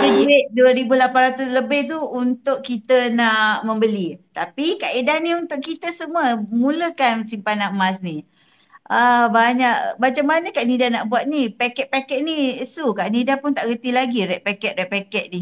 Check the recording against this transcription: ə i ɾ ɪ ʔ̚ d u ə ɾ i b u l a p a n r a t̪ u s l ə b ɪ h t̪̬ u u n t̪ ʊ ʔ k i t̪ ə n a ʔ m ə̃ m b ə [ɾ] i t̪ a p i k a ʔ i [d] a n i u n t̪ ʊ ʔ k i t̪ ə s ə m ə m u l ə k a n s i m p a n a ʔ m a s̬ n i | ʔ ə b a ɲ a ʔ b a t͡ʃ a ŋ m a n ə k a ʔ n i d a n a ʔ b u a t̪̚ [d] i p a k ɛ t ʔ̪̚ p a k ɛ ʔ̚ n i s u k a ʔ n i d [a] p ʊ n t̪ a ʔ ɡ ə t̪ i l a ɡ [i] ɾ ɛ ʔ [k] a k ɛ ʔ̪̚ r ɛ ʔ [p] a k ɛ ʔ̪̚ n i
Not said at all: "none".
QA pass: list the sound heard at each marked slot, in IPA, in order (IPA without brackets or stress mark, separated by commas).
l, d, n, a, i, p, p